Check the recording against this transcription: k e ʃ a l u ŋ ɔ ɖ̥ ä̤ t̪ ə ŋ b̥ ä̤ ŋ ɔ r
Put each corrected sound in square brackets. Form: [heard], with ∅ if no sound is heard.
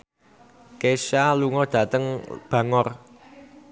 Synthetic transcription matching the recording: k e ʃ a l u ŋ ɔ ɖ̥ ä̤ t̪ ə ŋ b̥ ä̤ ŋ ɔ r